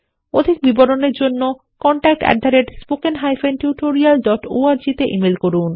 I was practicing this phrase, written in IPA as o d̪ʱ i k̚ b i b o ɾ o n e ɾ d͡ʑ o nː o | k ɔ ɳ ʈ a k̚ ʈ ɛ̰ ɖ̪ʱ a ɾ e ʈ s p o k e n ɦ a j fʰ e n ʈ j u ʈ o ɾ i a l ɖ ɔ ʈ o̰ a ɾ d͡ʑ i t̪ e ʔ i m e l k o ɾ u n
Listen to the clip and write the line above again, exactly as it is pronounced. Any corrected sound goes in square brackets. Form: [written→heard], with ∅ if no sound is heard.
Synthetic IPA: o d̪ʱ i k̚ b i b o ɾ o n e ɾ d͡ʑ o nː o | k ɔ ɳ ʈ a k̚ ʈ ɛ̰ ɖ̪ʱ a ɾ e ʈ s p o k e n ɦ a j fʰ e n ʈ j u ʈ o ɾ i a l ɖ ɔ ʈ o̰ a ɾ d͡ʑ i t̪ e ʔ i m e l k o ɾ u n